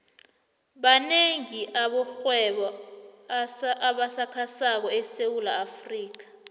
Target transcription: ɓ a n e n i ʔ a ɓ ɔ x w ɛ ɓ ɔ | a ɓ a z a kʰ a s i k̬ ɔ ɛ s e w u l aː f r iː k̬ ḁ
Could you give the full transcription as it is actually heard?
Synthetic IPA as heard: ɓ a n e ŋ i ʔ a ɓ ɔ x w ɛ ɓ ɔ | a ɓ a s a kʰ a s a k̬ ɔ ɛ s e w u l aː f r iː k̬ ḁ